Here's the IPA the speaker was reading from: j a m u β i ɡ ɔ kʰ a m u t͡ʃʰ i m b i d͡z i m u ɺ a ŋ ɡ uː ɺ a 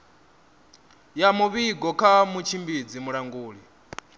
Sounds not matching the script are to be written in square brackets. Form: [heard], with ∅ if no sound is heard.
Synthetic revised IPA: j a m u β i ɡ ɔ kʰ a m u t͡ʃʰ i m b i d͡z i m u ɺ a ŋ ɡ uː ɺ [i]